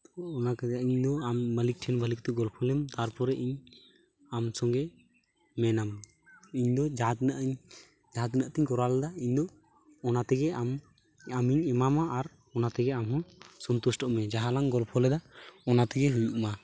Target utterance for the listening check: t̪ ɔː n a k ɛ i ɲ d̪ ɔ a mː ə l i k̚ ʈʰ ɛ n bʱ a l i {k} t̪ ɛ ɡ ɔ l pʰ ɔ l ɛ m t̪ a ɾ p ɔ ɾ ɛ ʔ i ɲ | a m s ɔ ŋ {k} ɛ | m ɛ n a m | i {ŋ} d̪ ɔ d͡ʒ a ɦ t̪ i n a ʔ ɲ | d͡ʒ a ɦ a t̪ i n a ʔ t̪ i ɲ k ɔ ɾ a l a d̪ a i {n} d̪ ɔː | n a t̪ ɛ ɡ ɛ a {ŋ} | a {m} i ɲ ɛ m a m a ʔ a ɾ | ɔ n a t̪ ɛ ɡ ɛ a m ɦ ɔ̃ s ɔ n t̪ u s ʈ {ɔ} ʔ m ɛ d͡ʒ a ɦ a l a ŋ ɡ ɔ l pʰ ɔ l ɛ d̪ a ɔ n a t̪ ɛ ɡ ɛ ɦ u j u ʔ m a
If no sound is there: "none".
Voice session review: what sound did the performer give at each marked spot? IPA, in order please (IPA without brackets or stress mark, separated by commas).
k, ɡ, ɲ, ɲ, m, m, ɔ